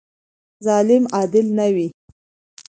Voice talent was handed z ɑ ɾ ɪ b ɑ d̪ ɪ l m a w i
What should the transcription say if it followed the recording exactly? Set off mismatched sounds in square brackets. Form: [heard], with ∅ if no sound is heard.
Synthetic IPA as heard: z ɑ [l] ɪ [m] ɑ d̪ ɪ l [n] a w i

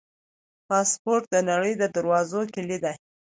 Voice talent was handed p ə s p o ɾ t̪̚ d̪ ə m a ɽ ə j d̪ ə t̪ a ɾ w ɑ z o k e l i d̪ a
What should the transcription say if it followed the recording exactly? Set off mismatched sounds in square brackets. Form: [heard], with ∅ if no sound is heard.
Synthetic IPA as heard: p [ɑ] s p o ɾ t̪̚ d̪ ə [n] a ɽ ə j d̪ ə [d̪] a ɾ w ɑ z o k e l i d̪ a

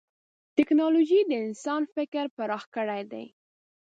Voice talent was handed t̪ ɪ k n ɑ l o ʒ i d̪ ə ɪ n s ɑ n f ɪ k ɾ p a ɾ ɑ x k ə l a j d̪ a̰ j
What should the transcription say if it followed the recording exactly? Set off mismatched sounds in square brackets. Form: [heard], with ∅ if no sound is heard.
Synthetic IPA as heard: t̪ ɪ k n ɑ l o ʒ i d̪ ə ɪ n s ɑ n f ɪ k ɾ p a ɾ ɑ x k ə [ɽ] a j d̪ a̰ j

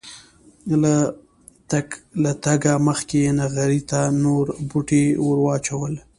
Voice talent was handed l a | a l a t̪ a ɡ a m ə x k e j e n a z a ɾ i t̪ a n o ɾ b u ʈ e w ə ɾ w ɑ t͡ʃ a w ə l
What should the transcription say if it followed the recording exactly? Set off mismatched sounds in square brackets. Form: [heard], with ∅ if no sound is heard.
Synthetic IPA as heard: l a | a l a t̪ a ɡ a m ə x k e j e n a [ɣ] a ɾ i t̪ a n o ɾ b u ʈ e w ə ɾ w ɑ t͡ʃ a w ə l

